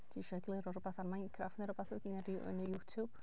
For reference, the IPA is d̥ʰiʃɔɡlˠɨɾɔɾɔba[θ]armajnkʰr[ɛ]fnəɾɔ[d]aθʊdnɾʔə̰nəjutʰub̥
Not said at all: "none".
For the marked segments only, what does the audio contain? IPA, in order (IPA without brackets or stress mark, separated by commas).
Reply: θ, a, b